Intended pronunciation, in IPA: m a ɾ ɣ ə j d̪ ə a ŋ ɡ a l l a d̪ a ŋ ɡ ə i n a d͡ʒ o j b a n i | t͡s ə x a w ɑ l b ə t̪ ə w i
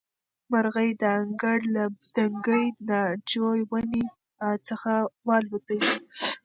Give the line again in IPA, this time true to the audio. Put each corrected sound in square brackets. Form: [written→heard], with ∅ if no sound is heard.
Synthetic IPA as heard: m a ɾ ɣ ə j d̪ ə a ŋ ɡ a [l→ɽ] l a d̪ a ŋ ɡ ə [i→j] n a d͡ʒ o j [b→w] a n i | t͡s ə x a w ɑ l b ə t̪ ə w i

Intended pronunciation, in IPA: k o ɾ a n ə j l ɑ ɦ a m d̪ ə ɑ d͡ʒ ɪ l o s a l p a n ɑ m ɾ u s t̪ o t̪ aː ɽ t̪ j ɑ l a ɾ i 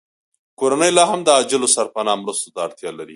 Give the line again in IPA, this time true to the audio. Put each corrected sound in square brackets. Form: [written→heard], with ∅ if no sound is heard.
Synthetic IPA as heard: k o ɾ a n ə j l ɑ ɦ a m d̪ ə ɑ d͡ʒ ɪ l o s a [l→ɾ] p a n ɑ m ɾ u s t̪ o t̪ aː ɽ t̪ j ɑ l a ɾ i

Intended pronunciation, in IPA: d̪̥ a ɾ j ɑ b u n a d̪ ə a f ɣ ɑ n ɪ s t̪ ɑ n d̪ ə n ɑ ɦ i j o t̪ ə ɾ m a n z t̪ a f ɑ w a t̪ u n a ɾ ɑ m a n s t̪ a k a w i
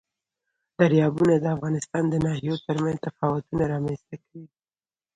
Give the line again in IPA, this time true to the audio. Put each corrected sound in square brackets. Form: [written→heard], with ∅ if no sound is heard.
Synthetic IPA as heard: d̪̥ a ɾ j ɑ b u n a d̪ ə a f ɣ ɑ n ɪ s t̪ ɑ n d̪ ə n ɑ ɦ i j o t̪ ə ɾ m a n z t̪ a f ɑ w a t̪ u n a ɾ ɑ m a n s t̪ a k a w i

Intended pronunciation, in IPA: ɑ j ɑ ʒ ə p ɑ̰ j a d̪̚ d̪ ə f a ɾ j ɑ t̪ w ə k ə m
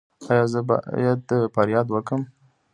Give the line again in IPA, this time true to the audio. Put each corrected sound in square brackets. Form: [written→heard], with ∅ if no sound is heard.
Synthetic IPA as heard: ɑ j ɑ [ʒ→z] ə [p→b] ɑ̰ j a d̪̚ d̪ ə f a ɾ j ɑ [t̪→d̪] w ə k ə m

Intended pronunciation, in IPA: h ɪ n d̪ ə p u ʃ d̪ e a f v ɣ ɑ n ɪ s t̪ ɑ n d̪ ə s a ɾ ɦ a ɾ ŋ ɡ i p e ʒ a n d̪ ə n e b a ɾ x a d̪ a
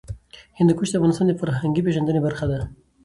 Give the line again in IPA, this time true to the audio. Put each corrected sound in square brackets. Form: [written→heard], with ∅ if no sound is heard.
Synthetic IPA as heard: h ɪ n d̪ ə [p→k] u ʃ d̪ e a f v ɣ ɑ n ɪ s t̪ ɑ n d̪ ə [s→f] a ɾ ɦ a [ɾ→∅] ŋ ɡ i p e ʒ a n d̪ ə n e b a ɾ x a d̪ a

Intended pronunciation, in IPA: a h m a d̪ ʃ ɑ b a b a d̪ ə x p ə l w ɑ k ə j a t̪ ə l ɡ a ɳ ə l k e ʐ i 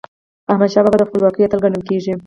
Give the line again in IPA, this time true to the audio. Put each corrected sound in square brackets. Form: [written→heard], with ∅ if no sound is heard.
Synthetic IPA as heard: a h m a d̪ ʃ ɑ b a b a d̪ ə x p ə l w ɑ k ə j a t̪ ə l ɡ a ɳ ə l k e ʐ i

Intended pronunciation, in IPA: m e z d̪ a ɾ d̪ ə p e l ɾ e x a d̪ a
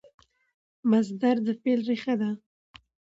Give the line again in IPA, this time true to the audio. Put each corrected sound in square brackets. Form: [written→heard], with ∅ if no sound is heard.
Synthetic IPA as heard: m [e→a] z d̪ a ɾ d̪ ə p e l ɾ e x a d̪ a

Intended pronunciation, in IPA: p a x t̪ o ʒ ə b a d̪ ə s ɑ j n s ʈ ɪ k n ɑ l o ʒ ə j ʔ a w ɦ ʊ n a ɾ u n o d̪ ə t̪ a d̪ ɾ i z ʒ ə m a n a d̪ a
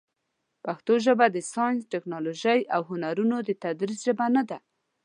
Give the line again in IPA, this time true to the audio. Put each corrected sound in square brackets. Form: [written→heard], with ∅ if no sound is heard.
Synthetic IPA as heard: p a x t̪ o ʒ ə b a d̪ ə s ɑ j n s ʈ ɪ k n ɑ l o ʒ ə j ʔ a w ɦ ʊ n a ɾ u n o d̪ ə t̪ a d̪ ɾ i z ʒ ə [m→b] a n a d̪ a

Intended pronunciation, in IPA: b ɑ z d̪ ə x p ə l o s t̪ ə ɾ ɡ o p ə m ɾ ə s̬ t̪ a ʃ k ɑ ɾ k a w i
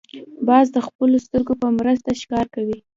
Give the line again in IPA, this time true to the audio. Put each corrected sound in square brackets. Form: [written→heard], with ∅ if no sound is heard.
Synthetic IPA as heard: b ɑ z d̪ ə x p ə l o s t̪ ə ɾ ɡ o p ə m ɾ ə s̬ t̪ a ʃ k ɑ ɾ k a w i

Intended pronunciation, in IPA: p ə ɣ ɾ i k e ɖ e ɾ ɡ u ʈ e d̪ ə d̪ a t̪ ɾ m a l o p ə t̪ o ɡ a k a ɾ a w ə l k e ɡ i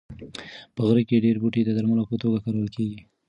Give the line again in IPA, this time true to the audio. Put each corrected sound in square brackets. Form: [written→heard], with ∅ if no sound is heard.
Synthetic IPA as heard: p ə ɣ ɾ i k e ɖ e ɾ [ɡ→b] u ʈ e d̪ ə d̪ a [t̪→∅] ɾ m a l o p ə t̪ o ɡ a k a ɾ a w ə l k e ɡ i

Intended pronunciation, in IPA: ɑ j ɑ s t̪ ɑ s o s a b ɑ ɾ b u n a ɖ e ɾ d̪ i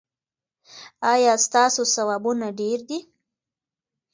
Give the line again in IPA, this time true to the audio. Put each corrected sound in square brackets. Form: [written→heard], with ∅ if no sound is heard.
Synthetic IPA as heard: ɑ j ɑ s t̪ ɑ s o s a [b→w] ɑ [ɾ→∅] b u n a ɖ e ɾ d̪ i

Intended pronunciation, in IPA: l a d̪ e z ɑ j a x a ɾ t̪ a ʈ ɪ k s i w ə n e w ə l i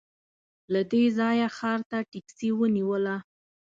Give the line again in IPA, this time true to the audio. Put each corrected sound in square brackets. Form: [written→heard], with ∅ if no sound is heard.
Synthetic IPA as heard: l a d̪ e z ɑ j a x [a→ɑ] ɾ t̪ a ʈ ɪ k s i w ə n [e→i] w ə l [i→a]

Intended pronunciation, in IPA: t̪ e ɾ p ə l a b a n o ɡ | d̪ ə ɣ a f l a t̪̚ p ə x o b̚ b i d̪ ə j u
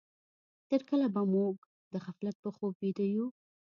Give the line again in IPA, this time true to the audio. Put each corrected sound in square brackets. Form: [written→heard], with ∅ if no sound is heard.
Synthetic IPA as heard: t̪ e ɾ [p→k] ə l a b a [n→m] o ɡ | d̪ ə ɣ a f l a t̪̚ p ə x o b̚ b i d̪ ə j u

